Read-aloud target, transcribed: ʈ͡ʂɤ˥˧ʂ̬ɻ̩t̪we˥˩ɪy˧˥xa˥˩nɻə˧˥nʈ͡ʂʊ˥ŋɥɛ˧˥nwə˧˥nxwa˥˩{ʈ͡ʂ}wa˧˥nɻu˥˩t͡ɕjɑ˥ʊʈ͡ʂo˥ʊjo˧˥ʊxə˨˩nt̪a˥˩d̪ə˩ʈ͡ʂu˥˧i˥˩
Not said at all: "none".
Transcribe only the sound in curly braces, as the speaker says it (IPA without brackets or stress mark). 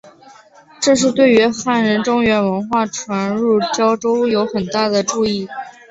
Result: ʈ͡ʂʰ